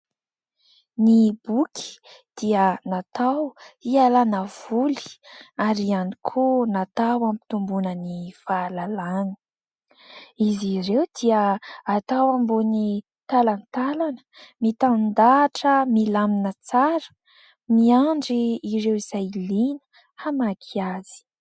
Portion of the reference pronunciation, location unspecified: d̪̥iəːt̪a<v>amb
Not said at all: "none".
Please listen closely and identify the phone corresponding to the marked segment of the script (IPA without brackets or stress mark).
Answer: w